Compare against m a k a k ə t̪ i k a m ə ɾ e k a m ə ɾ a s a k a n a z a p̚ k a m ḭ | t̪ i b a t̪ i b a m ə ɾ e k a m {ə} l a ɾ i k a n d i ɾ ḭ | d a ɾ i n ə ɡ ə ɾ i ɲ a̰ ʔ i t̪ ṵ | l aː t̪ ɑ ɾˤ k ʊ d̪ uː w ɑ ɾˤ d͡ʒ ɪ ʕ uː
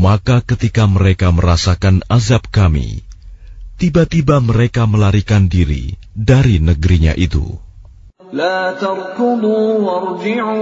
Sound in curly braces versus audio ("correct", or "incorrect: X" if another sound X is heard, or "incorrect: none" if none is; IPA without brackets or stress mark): correct